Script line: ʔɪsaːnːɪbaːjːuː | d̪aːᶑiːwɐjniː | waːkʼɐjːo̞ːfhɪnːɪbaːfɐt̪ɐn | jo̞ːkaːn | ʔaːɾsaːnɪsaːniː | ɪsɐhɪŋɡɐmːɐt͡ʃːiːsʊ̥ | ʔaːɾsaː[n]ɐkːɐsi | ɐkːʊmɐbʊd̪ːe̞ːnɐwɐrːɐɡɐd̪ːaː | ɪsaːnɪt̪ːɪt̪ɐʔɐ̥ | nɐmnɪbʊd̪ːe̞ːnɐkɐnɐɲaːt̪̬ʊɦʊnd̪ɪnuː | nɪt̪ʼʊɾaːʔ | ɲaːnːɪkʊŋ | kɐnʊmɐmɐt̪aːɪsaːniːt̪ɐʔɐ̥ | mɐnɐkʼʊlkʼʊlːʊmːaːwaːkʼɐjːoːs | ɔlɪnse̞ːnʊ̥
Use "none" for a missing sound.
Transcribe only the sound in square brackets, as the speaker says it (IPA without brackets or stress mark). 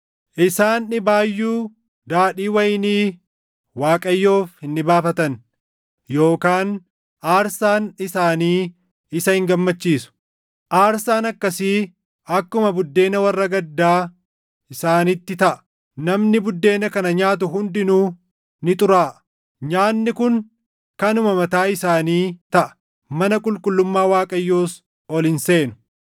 n